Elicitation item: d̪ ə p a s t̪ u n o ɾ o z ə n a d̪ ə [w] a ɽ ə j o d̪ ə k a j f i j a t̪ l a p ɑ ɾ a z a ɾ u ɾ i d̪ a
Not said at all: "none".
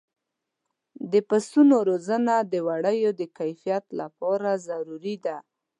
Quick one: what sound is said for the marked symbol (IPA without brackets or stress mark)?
w